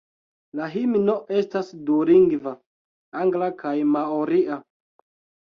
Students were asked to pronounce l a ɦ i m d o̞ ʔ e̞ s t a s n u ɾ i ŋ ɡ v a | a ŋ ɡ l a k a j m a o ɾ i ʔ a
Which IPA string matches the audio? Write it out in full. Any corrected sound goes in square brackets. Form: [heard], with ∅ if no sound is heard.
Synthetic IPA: l a ɦ i m [n] o̞ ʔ e̞ s t a s [d] u ɾ i ŋ ɡ v a | a ŋ ɡ l a k a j m a o ɾ i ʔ a